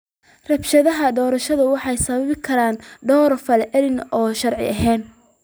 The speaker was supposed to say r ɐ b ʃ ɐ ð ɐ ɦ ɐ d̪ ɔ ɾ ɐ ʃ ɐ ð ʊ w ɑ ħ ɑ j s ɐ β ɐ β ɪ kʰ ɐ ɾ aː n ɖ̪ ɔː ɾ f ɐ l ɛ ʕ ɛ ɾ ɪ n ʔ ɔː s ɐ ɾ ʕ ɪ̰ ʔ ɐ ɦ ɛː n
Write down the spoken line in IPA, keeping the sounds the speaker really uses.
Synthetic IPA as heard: r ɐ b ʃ ɐ ð ɐ ɦ ɐ d̪ ɔː ɾ ɐ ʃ ɐ ð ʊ w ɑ ħ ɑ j s ɐ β ɐ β ɪ kʰ ɐ ɾ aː n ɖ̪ ɔː ɾ f ɐ l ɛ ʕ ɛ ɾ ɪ n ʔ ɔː ʃ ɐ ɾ ʕ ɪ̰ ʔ ɐ ɦ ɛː n